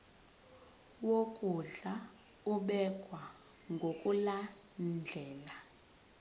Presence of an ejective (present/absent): present